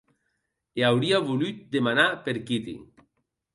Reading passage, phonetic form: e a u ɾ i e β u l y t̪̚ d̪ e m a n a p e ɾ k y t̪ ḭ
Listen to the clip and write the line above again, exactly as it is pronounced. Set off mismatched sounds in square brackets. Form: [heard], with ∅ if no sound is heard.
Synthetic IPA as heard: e a [w] ɾ i [a] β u l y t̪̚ d̪ e m a n a p e ɾ k [i] t̪ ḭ